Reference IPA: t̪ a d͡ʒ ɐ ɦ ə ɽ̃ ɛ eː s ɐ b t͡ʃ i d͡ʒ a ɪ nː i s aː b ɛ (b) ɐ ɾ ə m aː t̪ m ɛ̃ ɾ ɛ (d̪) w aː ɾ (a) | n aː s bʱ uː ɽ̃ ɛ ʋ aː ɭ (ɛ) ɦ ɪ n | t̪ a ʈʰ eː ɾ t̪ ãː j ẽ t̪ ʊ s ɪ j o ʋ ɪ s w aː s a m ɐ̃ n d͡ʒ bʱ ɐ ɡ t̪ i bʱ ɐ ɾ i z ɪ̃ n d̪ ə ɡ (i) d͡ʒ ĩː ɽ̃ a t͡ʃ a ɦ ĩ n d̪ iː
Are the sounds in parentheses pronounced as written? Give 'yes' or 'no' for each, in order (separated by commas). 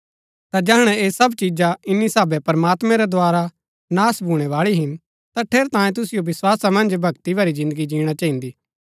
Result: no, yes, yes, no, yes